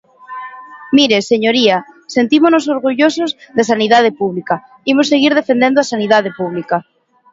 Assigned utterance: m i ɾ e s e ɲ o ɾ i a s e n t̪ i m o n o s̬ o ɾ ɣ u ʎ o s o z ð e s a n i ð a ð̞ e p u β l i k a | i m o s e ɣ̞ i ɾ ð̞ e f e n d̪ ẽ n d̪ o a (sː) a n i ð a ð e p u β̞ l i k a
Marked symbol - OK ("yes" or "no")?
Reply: no